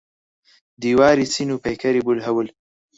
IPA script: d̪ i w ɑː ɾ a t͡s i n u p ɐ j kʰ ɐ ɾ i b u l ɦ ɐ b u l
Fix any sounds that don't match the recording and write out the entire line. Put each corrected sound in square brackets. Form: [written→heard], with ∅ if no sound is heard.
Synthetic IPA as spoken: d̪ i w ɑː ɾ [a→i] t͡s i n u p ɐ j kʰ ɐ ɾ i b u l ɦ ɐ [b→w] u l